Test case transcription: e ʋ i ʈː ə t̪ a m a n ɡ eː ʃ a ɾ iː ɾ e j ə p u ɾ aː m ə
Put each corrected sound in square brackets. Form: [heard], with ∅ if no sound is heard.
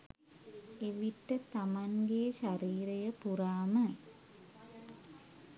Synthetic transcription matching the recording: e ʋ i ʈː ə t̪ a m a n ɡ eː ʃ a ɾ iː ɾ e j ə p u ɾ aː m ə